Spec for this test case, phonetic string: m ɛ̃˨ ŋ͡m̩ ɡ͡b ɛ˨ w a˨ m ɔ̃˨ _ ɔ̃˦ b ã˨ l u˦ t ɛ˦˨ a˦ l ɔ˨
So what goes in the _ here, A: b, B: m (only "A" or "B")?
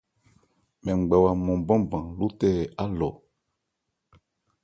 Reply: A